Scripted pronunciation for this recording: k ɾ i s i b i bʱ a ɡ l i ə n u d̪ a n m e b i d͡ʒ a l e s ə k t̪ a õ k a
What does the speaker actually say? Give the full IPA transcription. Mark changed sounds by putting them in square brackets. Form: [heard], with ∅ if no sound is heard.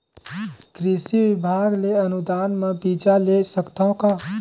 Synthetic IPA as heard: k ɾ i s i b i bʱ a ɡ l [e] ə n u d̪ a n m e b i d͡ʒ a l e s ə k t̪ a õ k a

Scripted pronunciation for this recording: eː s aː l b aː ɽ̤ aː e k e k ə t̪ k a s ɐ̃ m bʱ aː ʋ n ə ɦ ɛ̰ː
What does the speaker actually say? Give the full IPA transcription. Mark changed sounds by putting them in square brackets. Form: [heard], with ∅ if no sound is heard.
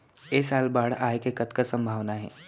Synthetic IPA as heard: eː s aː l b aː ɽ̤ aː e k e k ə t̪ k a s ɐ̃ m bʱ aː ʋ n [a] ɦ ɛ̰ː

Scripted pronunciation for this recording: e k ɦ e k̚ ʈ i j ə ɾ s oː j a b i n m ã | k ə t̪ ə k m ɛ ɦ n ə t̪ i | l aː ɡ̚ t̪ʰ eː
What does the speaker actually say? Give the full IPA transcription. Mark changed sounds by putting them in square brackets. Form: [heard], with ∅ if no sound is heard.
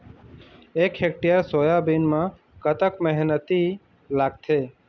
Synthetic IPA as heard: e k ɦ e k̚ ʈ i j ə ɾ s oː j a b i n m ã | k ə t̪ ə k m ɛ ɦ n ə t̪ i | l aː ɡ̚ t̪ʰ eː

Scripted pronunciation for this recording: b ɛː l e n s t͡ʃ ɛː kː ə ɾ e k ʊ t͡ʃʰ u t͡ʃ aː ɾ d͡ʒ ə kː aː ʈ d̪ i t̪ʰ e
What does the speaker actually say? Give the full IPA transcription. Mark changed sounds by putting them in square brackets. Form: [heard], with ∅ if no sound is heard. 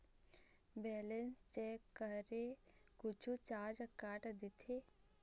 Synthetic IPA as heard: b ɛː l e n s t͡ʃ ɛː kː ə ɾ e k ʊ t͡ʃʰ u t͡ʃ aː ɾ d͡ʒ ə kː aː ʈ d̪ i t̪ʰ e

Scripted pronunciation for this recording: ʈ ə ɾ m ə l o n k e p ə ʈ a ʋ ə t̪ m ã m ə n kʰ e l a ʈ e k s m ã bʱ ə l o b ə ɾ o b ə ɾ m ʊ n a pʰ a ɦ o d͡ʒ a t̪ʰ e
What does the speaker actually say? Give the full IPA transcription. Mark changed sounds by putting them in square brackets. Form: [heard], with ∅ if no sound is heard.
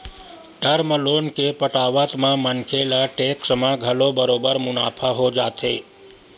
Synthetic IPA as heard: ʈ ə ɾ m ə l o n k e p ə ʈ a ʋ ə t̪ m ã m ə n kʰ e l a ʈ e k s m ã [ɡʱ] ə l o b ə ɾ o b ə ɾ m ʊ n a pʰ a ɦ o d͡ʒ a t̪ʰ e

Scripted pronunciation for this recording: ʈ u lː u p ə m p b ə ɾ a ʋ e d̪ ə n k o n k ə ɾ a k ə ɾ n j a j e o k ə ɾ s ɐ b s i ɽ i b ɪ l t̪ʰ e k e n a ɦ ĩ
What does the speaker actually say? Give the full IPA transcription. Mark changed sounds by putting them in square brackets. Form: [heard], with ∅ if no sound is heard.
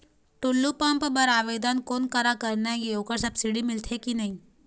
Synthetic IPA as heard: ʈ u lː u p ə m p b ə ɾ a ʋ e d̪ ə n k o n k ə ɾ a k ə ɾ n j a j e o k ə ɾ s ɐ b s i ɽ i [m] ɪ l t̪ʰ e k [i] n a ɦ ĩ

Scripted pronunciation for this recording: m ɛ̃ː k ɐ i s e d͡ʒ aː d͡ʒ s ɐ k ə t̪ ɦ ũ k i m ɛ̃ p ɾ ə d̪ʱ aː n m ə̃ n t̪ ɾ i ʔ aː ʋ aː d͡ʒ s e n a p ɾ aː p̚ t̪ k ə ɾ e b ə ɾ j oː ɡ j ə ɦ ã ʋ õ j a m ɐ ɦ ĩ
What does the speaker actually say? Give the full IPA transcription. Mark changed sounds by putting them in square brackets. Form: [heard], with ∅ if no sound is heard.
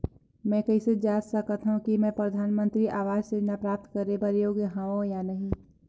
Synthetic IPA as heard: m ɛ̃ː k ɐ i s e d͡ʒ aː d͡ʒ s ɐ k ə t̪ ɦ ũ k i m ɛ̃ p ɾ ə d̪ʱ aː n m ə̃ n t̪ ɾ i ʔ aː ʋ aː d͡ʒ s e n a p ɾ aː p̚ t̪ k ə ɾ e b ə ɾ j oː ɡ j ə ɦ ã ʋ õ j a [n] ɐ ɦ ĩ

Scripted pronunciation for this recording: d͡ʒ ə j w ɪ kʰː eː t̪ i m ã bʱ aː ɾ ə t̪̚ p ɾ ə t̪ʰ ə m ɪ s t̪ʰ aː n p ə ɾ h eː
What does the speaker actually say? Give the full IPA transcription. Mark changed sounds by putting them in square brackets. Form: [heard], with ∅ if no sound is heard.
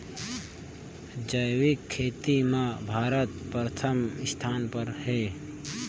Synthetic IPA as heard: d͡ʒ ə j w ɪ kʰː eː t̪ i m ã bʱ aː ɾ ə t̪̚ p ɾ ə t̪ʰ ə m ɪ s t̪ʰ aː n p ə ɾ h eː

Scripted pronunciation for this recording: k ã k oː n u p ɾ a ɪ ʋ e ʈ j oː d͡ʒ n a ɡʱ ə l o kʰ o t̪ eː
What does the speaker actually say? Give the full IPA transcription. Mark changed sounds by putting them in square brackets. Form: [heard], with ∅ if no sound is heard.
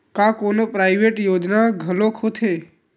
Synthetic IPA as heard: k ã k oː n [o] p ɾ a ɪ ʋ e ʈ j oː d͡ʒ n a ɡʱ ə l o kʰ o [t̪ʰ] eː

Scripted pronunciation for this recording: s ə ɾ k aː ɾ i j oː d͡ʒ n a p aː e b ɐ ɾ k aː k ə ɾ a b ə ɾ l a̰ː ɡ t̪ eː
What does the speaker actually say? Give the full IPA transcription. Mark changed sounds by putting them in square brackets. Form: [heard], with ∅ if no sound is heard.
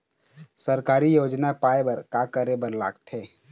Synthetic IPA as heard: s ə ɾ k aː ɾ i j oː d͡ʒ n a p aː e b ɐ ɾ k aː k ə ɾ [e] b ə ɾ l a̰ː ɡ t̪ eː

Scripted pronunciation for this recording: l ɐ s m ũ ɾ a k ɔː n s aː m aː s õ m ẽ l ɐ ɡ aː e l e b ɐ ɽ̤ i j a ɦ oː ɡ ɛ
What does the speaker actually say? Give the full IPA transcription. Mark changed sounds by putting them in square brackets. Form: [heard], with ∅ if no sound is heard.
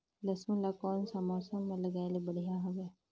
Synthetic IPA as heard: l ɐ s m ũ [l] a k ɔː n s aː m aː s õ m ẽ l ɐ ɡ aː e l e b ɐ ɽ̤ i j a ɦ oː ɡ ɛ

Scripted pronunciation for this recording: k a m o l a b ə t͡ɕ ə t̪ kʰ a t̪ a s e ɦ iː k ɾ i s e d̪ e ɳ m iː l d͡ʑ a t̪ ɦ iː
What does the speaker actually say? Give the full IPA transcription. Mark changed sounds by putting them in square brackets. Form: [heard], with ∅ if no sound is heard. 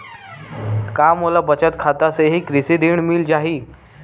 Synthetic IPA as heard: k a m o l a b ə t͡ɕ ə t̪ kʰ a t̪ a s e ɦ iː k ɾ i s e d̪ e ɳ m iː l d͡ʑ a [∅] ɦ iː

